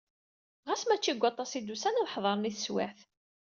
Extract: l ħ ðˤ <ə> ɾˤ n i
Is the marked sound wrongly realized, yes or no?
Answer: yes